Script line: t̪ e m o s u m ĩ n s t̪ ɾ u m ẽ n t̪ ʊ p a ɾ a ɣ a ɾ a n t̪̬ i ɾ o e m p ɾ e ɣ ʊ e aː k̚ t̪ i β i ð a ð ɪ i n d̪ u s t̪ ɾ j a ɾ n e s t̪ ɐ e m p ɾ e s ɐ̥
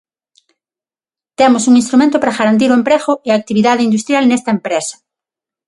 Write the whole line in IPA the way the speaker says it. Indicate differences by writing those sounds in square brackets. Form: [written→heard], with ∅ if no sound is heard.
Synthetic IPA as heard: t̪ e m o s u [m→ŋ] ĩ n s t̪ ɾ u m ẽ n t̪ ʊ p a ɾ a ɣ a ɾ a n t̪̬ i ɾ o e m p ɾ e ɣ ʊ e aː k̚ t̪ i β i ð a ð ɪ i n d̪ u s t̪ ɾ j a [ɾ→l] n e s t̪ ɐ e m p ɾ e s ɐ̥

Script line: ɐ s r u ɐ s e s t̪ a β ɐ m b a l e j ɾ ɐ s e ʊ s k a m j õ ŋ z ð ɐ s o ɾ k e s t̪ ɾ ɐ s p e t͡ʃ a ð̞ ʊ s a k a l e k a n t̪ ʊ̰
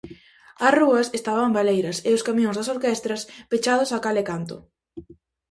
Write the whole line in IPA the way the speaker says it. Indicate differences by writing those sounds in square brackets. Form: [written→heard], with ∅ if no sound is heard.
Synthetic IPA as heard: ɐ s r u ɐ s e s t̪ a β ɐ m b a l e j ɾ ɐ s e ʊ s k a m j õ ŋ z ð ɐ s o ɾ k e s t̪ ɾ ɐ s p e t͡ʃ a ð̞ ʊ s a k a l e k a n t̪ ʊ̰

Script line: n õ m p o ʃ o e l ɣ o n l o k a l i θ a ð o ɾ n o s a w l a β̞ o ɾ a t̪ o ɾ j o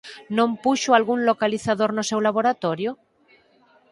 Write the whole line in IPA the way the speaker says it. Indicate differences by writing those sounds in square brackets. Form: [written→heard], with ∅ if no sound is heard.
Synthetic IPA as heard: n õ m p [o→u] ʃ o [e→a] l ɣ [o→u] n l o k a l i θ a ð o ɾ n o s [a→e] w l a β̞ o ɾ a t̪ o ɾ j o

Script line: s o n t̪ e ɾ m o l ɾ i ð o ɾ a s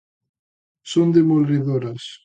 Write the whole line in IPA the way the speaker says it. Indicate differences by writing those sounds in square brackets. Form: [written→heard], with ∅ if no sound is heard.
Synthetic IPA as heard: s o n [t̪→d̪] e [ɾ→∅] m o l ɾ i ð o ɾ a s

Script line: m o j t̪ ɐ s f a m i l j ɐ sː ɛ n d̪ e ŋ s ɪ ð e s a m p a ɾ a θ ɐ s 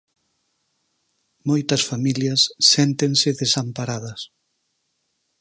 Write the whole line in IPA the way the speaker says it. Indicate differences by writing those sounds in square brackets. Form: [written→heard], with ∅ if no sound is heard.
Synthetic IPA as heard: m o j t̪ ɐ s f a m i l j ɐ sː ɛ n [d̪→t̪] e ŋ s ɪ ð e s a m p a ɾ a [θ→ð] ɐ s

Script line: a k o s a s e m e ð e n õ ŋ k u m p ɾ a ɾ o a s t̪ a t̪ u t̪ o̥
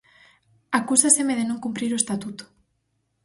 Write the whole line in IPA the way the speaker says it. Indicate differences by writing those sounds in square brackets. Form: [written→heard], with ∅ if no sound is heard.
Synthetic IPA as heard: a k [o→u] s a s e m e ð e n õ ŋ k u m p ɾ [a→i] ɾ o [a→e] s t̪ a t̪ u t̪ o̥

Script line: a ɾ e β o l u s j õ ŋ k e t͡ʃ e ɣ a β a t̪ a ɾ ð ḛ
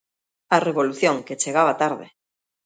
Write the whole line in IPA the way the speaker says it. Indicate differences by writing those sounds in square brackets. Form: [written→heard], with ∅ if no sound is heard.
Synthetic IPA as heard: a [ɾ→r] e β o l u [s→θ] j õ ŋ k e t͡ʃ e ɣ a β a t̪ a ɾ ð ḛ

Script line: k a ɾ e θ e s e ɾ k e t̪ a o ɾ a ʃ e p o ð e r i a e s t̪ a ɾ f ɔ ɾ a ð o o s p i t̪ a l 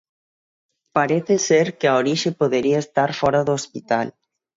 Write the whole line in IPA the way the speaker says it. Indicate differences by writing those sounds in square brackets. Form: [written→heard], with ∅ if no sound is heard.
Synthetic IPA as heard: [k→p] a ɾ e θ e s e ɾ k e [t̪→∅] a o ɾ [a→i] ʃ e p o ð e [r→ɾ] i a e s t̪ a ɾ f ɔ ɾ a ð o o s p i t̪ a l

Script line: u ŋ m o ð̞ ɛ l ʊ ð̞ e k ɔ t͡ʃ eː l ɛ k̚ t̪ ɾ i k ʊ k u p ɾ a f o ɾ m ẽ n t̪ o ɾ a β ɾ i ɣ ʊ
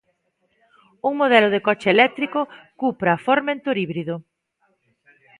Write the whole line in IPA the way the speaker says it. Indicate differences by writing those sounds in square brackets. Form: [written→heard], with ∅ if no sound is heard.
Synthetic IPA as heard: u ŋ m o ð̞ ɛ l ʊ ð̞ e k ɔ t͡ʃ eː l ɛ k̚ t̪ ɾ i k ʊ k u p ɾ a f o ɾ m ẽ n t̪ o ɾ [a→i] β ɾ i [ɣ→ð] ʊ

